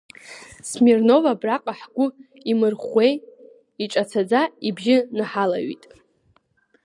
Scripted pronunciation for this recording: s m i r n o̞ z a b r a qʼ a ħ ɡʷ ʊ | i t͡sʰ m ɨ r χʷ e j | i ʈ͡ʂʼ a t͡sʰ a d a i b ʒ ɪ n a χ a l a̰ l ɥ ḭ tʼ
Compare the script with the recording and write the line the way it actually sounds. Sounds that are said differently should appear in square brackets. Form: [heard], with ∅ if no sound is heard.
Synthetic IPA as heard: s m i r n o̞ [v] a b r a qʼ a ħ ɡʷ ʊ | i [∅] m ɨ r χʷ e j | i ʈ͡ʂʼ a t͡sʰ a [d͡z] a i b ʒ ɪ n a [ħ] a l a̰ [∅] ɥ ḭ tʼ